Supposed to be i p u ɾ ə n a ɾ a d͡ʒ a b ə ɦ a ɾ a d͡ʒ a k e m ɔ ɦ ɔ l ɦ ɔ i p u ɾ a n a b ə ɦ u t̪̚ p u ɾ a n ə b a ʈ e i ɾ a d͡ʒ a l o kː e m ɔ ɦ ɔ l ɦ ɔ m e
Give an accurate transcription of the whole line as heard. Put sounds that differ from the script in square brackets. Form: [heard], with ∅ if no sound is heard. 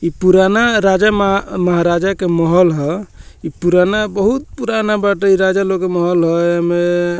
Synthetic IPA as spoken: i p u ɾ [a] n a ɾ a d͡ʒ a [m] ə ɦ a ɾ a d͡ʒ a k e m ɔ ɦ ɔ l ɦ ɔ i p u ɾ a n a b ə ɦ u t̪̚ p u ɾ a n [a] b a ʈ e i ɾ a d͡ʒ a l o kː e m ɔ ɦ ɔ l ɦ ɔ m e